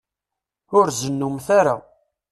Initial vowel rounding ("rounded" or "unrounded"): rounded